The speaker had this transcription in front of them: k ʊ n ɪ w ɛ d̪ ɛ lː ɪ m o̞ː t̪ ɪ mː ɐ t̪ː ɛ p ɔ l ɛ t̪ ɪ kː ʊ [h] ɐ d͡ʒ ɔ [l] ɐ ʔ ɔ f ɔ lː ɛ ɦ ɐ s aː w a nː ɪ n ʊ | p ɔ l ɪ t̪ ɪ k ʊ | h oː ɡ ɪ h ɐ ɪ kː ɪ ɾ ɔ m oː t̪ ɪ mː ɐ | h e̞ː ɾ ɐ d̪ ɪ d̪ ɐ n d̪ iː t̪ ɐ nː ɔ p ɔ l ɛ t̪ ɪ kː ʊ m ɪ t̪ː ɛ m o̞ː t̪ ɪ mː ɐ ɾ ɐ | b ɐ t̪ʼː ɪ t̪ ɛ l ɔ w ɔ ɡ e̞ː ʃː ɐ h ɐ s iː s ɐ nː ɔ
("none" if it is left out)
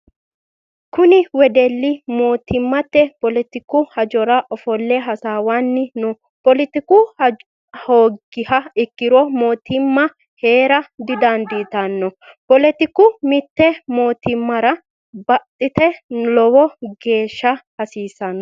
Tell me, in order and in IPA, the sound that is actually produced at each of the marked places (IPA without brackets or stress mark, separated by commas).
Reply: h, ɾ